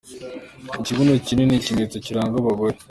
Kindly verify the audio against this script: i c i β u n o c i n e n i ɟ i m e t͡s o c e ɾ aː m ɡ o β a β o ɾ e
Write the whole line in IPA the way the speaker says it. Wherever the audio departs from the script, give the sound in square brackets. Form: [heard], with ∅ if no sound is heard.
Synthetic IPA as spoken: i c i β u n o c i n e n i [c] i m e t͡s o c [i] ɾ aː [ŋ] ɡ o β a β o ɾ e

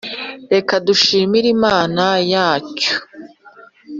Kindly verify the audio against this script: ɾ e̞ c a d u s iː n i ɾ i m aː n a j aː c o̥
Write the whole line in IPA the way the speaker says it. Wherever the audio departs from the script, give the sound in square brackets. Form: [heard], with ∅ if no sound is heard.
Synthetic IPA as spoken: ɾ e̞ [k] a d u [ʃ] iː [m] i ɾ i m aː n a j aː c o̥

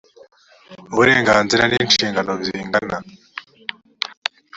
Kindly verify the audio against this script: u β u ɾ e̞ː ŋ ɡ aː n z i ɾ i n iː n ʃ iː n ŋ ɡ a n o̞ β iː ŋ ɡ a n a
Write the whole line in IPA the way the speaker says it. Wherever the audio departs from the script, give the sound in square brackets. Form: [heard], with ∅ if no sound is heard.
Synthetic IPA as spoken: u β u ɾ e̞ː ŋ ɡ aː n z i ɾ [a] n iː n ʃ iː [∅] ŋ ɡ a n o̞ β iː ŋ ɡ a n a

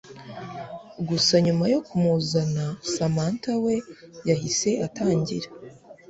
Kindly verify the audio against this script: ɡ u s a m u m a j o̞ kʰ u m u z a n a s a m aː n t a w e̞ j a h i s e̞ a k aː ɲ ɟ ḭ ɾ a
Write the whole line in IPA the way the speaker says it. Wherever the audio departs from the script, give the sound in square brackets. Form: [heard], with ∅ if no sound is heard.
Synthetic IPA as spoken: ɡ u s a [ɲ] u m a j o̞ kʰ u m u z a n a s a m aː n t a w e̞ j a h i s e̞ a [t] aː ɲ ɟ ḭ ɾ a

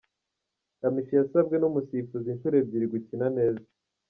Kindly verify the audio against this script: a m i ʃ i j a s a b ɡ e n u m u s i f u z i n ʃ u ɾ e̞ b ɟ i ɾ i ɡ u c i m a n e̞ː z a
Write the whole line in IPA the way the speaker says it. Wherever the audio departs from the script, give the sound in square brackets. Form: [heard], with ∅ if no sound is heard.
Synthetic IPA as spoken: a m i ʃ i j a s a b ɡ e n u m u s i f u z i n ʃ u ɾ e̞ b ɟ i ɾ i ɡ u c i [n] a n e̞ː z a

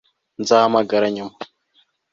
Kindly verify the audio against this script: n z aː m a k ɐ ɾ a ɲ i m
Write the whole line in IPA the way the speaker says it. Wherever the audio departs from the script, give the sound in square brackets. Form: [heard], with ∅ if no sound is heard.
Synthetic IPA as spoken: n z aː m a [ɡ] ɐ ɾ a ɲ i m

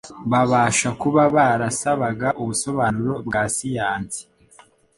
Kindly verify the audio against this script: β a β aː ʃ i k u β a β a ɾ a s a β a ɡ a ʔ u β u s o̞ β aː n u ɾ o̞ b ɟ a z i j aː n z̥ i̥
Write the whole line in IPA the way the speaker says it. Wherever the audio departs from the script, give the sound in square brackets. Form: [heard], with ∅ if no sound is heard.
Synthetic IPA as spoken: β a β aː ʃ [a] k u β a β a ɾ a s a β a ɡ a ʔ u β u s o̞ β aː n u ɾ o̞ b [ɡ] a [s] i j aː n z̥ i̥

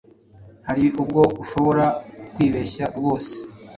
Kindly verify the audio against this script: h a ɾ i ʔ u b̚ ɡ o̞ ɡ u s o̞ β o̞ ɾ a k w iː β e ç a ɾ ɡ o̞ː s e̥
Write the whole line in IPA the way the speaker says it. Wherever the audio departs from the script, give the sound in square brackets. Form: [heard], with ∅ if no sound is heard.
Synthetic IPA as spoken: h a ɾ i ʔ u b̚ ɡ o̞ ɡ u [ʃ] o̞ β o̞ ɾ a k w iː β e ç a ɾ ɡ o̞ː s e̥

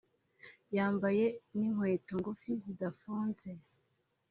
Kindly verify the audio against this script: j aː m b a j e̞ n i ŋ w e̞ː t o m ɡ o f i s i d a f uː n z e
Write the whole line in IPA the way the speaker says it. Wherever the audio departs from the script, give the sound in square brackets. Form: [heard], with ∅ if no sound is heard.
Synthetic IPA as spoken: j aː m b a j e̞ n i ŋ w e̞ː t o [ŋ] ɡ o f i [z] i d a f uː n z e

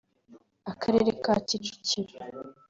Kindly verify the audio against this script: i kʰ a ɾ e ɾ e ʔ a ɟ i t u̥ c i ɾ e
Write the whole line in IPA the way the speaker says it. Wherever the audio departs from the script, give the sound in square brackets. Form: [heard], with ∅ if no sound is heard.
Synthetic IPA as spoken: [a] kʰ a ɾ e ɾ e [k] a [c] i [t͡ʃ] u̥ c i ɾ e

